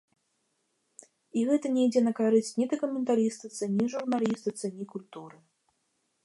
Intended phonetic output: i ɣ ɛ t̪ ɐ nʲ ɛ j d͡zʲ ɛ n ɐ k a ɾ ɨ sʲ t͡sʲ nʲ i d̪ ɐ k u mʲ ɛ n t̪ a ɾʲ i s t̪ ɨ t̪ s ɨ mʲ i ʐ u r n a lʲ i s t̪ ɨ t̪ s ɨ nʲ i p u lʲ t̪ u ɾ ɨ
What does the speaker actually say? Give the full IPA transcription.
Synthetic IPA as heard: i ɣ ɛ t̪ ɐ nʲ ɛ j d͡zʲ ɛ n ɐ k a ɾ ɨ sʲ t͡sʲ nʲ i d̪ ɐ k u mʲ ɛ n t̪ a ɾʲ i s t̪ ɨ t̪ s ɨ nʲ i ʐ u r n a lʲ i s t̪ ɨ t̪ s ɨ nʲ i k u lʲ t̪ u ɾ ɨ